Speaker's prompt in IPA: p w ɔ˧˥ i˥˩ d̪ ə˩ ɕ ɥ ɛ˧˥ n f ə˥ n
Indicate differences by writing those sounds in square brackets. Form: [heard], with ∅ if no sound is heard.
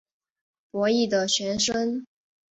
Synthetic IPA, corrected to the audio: p w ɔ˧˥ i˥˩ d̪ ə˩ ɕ ɥ ɛ˧˥ n [ʂ] ə˥ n